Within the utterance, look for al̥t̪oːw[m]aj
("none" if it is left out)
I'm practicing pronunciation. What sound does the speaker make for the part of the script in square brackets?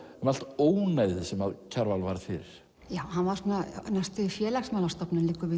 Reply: n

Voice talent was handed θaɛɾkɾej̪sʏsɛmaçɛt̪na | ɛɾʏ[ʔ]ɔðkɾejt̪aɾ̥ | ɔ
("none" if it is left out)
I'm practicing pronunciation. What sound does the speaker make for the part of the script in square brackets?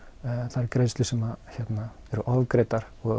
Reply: ʔ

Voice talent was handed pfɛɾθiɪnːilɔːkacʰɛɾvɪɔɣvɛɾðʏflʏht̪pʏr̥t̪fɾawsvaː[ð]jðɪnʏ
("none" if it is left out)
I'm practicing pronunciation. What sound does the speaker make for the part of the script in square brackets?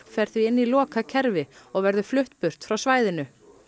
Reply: none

